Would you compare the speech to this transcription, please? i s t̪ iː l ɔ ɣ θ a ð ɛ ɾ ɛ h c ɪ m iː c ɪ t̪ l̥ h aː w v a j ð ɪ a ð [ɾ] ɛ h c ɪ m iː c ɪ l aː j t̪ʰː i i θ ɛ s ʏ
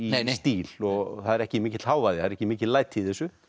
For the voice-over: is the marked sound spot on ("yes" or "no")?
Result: yes